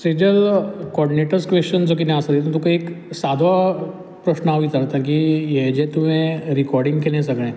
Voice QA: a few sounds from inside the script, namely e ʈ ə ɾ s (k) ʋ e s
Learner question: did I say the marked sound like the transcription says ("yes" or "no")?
yes